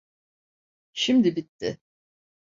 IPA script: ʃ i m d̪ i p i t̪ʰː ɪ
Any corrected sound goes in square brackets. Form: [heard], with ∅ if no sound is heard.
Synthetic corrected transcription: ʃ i m d̪ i [b] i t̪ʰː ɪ